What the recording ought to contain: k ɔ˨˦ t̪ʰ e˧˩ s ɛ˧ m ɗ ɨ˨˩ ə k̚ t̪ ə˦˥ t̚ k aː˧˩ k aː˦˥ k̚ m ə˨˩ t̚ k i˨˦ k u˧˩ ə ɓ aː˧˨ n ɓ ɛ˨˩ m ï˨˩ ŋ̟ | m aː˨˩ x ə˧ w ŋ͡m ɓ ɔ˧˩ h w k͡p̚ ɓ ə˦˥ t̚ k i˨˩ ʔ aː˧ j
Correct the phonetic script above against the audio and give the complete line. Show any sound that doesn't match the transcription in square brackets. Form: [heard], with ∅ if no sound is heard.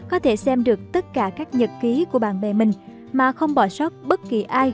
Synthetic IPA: k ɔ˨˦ t̪ʰ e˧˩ s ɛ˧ m ɗ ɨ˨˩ ə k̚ t̪ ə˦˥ t̚ k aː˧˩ k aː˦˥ k̚ [ɲ] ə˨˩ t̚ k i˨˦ k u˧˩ ə ɓ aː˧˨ n ɓ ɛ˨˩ m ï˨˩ ŋ̟ | m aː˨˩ x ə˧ w ŋ͡m ɓ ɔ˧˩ [s] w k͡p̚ ɓ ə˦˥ t̚ k i˨˩ ʔ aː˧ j

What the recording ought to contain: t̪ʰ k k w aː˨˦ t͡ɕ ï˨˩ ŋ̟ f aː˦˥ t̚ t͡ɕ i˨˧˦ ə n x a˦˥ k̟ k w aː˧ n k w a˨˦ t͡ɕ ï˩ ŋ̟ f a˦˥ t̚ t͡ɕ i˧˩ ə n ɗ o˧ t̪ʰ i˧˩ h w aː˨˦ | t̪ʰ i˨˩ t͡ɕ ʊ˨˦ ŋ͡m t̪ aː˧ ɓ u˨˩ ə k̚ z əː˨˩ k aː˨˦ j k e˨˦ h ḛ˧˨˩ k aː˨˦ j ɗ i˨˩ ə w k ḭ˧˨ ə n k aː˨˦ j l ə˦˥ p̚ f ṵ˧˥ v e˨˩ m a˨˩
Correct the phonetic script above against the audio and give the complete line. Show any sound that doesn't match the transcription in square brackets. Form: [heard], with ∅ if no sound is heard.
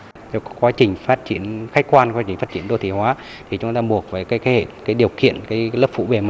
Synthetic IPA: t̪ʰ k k w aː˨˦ t͡ɕ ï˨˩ ŋ̟ f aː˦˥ t̚ t͡ɕ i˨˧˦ ə n x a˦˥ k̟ k w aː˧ n k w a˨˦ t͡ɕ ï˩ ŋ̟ f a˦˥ t̚ t͡ɕ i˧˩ ə n ɗ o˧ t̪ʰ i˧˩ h w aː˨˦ | t̪ʰ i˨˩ t͡ɕ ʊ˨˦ ŋ͡m t̪ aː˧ ɓ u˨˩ ə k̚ [v] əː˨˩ k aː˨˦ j k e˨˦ h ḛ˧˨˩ k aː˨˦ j ɗ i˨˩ ə w k ḭ˧˨ ə n k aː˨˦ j l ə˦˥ p̚ f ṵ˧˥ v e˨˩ m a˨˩

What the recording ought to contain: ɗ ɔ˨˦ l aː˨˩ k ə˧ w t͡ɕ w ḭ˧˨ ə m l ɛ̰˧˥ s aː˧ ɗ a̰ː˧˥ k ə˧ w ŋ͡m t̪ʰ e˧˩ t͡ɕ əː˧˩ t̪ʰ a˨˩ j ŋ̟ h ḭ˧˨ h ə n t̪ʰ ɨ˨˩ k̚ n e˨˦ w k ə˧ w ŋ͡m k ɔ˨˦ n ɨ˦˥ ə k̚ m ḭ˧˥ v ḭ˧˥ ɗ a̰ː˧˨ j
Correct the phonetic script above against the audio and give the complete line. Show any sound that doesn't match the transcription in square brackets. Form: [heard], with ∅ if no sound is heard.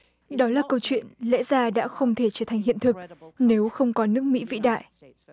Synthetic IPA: ɗ ɔ˨˦ l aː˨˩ k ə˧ w t͡ɕ w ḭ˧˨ ə [n] l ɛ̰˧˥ [z] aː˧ ɗ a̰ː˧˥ [x] ə˧ w ŋ͡m t̪ʰ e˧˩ t͡ɕ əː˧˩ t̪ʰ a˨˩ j ŋ̟ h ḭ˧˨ [∅] ə n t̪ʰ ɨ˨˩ k̚ n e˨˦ w [x] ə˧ w ŋ͡m k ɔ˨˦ n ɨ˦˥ ə k̚ m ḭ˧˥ v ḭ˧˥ ɗ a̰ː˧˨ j

